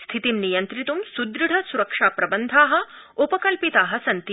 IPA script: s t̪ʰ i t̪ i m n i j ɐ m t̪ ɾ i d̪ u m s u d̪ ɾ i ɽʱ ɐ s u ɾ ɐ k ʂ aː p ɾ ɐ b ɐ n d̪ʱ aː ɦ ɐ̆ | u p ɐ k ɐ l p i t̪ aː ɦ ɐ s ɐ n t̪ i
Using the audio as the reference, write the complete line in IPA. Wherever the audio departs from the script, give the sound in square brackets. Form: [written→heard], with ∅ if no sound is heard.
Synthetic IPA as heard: s t̪ʰ i t̪ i m n i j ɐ [m→n] t̪ ɾ i [d̪→t̪] u m s u d̪ ɾ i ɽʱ ɐ s u ɾ ɐ k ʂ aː p ɾ ɐ b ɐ n d̪ʱ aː ɦ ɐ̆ | u p ɐ k ɐ l p i t̪ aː ɦ ɐ s ɐ n t̪ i